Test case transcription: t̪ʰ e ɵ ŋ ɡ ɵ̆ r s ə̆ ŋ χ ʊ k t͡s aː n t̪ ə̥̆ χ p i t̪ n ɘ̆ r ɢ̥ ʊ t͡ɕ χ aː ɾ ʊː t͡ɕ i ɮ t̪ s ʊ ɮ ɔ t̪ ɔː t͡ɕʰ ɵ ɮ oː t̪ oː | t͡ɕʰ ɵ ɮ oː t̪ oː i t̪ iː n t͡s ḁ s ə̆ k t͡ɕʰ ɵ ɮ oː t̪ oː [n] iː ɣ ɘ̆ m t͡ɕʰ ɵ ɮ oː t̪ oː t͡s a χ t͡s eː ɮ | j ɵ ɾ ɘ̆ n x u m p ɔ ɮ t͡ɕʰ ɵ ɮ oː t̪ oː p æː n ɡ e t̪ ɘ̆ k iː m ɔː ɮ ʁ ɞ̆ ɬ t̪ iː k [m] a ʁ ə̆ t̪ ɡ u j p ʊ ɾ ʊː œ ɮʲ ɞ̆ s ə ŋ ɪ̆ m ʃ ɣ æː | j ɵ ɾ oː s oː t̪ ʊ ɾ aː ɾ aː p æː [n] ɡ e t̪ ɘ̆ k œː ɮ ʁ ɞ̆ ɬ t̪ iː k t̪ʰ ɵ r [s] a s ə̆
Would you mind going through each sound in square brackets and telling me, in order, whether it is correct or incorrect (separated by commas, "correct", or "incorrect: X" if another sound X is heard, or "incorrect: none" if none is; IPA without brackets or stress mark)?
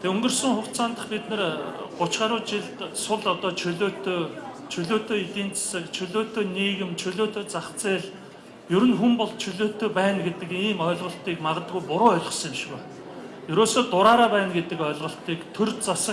correct, correct, correct, incorrect: t͡s